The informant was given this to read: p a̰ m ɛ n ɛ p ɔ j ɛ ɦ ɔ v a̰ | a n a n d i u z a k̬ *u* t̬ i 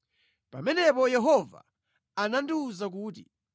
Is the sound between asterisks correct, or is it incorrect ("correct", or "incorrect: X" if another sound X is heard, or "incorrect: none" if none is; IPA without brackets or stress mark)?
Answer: incorrect: uː